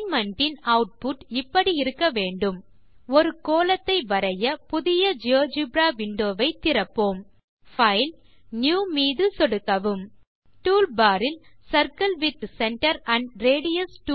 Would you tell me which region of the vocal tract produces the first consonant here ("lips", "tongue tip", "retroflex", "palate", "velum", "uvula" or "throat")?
lips